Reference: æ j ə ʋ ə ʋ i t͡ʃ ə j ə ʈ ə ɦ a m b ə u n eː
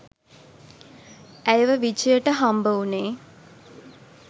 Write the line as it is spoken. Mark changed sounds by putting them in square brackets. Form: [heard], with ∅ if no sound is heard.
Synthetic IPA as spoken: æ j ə ʋ ə ʋ i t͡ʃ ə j ə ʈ ə ɦ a m b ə u n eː

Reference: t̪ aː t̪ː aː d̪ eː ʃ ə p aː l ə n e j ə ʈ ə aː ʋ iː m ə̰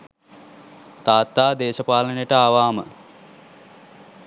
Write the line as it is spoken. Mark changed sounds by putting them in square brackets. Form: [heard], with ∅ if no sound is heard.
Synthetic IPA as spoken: t̪ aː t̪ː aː d̪ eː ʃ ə p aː l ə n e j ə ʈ ə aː ʋ [aː] m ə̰

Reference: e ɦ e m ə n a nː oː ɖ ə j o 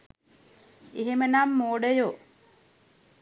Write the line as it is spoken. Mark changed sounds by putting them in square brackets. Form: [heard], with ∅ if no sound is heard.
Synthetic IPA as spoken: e ɦ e m ə n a [mː] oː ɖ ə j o

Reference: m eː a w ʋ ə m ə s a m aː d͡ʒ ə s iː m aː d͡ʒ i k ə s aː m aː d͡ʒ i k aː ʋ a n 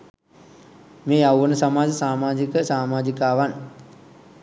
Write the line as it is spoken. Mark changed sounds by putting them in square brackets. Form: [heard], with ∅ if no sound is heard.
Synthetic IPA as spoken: m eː a w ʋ ə [n] ə s a m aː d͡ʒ ə s [aː] m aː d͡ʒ i k ə s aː m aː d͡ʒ i k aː ʋ a n

